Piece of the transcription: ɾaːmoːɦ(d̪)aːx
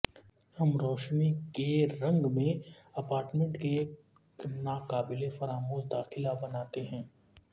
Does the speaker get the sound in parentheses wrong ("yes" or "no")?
no